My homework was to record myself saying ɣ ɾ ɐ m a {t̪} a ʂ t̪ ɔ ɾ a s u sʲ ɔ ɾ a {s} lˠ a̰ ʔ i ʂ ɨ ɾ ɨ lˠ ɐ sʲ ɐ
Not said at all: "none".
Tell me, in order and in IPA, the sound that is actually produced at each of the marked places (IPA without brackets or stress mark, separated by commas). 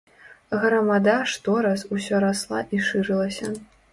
d̪, s